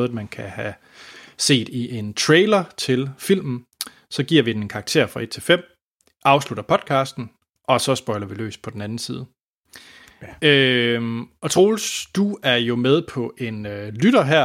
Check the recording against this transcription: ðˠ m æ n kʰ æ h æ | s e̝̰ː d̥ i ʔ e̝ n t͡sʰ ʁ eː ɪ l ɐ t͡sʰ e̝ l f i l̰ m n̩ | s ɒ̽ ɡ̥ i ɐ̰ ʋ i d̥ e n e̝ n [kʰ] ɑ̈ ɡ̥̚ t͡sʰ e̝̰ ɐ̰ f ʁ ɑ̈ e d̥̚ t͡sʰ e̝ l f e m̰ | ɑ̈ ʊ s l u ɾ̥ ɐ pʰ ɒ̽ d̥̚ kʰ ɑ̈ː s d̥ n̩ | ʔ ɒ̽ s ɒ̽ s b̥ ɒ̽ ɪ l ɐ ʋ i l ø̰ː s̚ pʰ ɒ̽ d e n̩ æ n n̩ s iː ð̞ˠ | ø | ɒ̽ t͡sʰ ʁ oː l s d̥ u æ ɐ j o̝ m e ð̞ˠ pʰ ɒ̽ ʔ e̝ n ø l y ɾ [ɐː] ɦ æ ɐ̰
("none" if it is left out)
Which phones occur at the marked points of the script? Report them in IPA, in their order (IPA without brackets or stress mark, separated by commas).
kʰ, ɐ